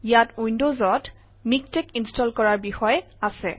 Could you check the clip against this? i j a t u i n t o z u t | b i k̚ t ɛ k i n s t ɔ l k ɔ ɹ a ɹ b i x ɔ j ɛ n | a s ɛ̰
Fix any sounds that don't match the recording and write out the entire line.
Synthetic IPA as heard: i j a t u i n d o z ɔ t | m i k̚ t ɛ k i n s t ɔ l k ɔ ɹ a ɹ b i x ɔ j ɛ | a s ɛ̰